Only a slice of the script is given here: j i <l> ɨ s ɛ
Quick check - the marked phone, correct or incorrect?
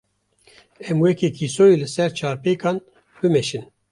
correct